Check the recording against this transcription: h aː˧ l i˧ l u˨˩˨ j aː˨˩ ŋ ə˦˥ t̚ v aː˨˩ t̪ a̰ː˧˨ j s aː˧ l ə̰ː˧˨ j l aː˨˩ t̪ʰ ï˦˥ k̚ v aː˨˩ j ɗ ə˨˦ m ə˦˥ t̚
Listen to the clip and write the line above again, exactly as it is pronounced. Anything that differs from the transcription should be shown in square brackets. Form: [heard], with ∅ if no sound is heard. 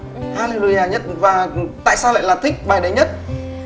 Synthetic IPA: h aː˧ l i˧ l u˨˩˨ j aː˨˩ [ɲ] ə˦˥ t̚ v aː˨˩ t̪ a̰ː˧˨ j s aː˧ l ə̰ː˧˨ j l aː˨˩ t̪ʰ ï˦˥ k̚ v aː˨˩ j ɗ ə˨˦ [ɲ] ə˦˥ t̚